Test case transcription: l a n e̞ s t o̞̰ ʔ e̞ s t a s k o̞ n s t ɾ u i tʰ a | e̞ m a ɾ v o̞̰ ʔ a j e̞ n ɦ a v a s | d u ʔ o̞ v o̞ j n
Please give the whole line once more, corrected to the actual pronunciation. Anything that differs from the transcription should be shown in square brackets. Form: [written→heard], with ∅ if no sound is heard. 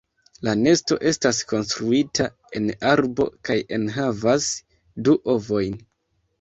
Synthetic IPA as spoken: l a n e̞ s t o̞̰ ʔ e̞ s t a s k o̞ n s t ɾ u i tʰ a | e̞ [m→n] a ɾ [v→b] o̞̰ [ʔ→k] a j e̞ n ɦ a v a s | d u ʔ o̞ v o̞ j n

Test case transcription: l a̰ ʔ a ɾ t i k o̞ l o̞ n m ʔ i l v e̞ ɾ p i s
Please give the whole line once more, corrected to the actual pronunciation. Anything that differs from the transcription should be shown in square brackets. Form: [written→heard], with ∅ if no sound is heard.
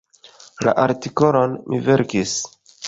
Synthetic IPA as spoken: l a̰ ʔ a ɾ t i k o̞ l o̞ n m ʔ i [l→∅] v e̞ ɾ [p→k] i s

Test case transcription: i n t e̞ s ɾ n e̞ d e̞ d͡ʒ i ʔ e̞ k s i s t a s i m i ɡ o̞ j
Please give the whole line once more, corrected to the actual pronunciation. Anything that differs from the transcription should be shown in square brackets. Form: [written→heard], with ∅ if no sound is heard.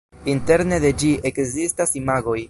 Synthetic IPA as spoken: i n t e̞ [s→∅] ɾ n e̞ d e̞ d͡ʒ i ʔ e̞ k [s→z] i s t a s i m [i→a] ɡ o̞ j

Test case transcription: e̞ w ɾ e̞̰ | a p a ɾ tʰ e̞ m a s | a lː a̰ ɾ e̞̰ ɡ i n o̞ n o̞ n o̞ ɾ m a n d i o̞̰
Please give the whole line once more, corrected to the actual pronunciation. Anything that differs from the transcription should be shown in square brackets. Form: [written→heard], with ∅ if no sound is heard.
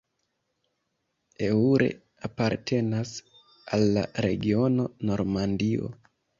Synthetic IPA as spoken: e̞ [w→u] ɾ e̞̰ | a p a ɾ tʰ e̞ [m→n] a s | a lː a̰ ɾ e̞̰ ɡ i [n→∅] o̞ n o̞ n o̞ ɾ m a n d i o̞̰

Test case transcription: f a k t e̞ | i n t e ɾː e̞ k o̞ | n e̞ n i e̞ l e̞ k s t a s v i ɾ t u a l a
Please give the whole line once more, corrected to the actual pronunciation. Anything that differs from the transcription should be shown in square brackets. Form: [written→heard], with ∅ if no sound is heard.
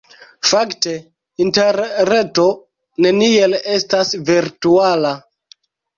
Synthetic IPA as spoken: f a k t e̞ | i n t e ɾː e̞ [k→t] o̞ | n e̞ n i e̞ l e̞ [k→∅] s t a s v i ɾ t u a l a

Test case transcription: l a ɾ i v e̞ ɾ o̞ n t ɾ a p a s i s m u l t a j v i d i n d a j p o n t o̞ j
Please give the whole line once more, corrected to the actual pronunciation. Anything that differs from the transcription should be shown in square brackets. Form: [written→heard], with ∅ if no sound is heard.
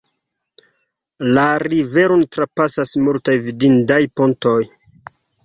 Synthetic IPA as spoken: l a ɾ i v e̞ ɾ o̞ n t ɾ a p a s [i→a] s m u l t a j v i d i n d a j p o n t o̞ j

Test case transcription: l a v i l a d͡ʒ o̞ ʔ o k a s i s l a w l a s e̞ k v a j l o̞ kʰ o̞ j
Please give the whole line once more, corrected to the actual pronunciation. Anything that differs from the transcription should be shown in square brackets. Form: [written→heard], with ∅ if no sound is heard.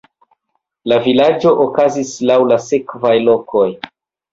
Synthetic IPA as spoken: l a v i l a d͡ʒ o̞ ʔ o k a [s→z] i s l a w l a s e̞ k v a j l o̞ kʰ o̞ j

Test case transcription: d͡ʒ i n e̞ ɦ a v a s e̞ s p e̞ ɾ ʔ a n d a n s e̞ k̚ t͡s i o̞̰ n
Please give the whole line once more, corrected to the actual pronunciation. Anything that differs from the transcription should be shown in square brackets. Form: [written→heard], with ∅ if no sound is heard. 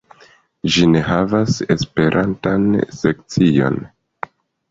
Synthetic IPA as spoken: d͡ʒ i n e̞ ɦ a v a s e̞ s p e̞ ɾ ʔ a n [d→t] a n s e̞ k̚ t͡s i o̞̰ n

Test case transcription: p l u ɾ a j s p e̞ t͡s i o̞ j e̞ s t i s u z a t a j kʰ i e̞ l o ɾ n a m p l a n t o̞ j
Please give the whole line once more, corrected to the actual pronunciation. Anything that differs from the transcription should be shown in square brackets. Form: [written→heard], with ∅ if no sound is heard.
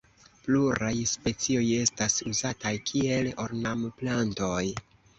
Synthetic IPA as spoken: p l u ɾ a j s p e̞ t͡s i o̞ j e̞ s t [i→a] s u z a t a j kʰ i e̞ l o ɾ n a m p l a n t o̞ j

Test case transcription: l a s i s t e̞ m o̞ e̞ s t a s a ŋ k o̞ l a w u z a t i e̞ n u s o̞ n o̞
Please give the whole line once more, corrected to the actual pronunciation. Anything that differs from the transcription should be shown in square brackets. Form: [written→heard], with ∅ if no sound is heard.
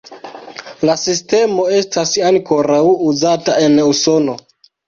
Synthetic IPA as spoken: l a s i s t e̞ m o̞ e̞ s t a s a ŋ k o̞ [l→ɾ] a w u z a t [i→a] e̞ n u s o̞ n o̞

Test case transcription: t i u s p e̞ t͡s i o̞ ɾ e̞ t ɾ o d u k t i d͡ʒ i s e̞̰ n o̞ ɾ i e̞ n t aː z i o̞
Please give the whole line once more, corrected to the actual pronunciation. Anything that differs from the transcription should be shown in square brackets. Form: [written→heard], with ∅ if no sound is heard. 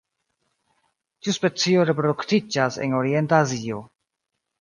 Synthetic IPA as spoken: t i u s p e̞ t͡s i o̞ ɾ e̞ [t→p] ɾ o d u k t i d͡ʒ [i→a] s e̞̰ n o̞ ɾ i e̞ n t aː z i o̞

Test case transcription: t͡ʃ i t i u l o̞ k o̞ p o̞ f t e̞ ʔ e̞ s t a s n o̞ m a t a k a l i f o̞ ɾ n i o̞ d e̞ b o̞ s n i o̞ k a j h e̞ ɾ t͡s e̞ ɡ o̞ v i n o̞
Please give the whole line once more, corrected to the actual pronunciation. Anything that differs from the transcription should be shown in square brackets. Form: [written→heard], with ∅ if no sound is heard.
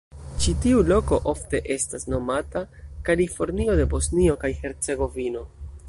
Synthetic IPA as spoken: t͡ʃ i t i u l o̞ k o̞ [p→ʔ] o̞ f t e̞ ʔ e̞ s t a s n o̞ m a t a k a l i f o̞ ɾ n i o̞ d e̞ b o̞ s n i o̞ k a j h e̞ ɾ t͡s e̞ ɡ o̞ v i n o̞

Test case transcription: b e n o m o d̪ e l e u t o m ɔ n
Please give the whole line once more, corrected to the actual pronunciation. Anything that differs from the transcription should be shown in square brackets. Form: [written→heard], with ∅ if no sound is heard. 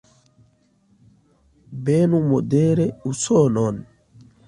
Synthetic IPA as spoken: b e n [o→u] m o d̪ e [l→ɾ] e u [t→s] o [m→n] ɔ n

